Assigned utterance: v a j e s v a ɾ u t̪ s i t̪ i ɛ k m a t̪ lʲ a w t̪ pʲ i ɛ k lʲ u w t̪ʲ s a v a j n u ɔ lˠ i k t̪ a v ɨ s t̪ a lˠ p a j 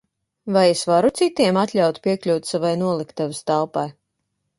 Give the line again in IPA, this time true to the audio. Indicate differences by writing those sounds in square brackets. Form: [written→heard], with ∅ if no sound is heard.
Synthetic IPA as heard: v a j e s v a ɾ u t̪ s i t̪ i ɛ [k→∅] m a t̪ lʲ a w t̪ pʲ i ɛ k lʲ u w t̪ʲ s a v a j n u ɔ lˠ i k t̪ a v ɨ s t̪ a lˠ p a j